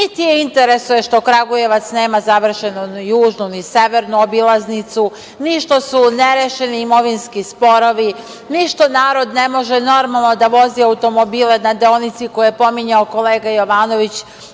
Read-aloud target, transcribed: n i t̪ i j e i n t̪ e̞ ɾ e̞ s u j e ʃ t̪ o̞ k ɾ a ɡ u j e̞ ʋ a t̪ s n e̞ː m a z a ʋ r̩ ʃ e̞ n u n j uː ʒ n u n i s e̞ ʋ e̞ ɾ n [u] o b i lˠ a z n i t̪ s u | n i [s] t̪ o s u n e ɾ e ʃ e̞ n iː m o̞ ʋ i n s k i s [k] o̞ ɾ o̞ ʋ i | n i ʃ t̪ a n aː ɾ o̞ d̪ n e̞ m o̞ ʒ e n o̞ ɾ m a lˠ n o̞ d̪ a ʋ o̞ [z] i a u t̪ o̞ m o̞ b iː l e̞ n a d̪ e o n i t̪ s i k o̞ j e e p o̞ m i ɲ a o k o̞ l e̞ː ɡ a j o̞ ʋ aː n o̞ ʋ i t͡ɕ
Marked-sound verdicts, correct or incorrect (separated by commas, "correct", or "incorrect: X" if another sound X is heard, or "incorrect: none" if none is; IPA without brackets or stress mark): correct, incorrect: ʃ, incorrect: p, correct